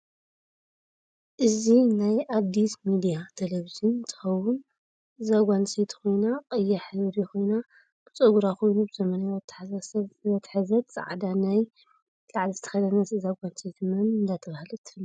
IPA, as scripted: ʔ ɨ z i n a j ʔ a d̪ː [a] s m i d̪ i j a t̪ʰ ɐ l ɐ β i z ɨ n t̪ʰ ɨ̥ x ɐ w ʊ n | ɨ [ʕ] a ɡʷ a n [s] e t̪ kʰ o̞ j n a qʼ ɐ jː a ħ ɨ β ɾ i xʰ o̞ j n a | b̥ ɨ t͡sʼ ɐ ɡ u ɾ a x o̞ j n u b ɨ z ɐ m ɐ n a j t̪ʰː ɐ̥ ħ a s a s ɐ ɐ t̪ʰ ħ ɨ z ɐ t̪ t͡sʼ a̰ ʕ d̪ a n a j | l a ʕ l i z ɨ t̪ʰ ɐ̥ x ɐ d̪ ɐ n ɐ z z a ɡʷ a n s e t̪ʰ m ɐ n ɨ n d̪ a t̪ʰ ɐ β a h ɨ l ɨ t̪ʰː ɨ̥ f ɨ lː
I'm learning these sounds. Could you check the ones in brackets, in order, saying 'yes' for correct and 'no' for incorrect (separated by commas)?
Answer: no, no, yes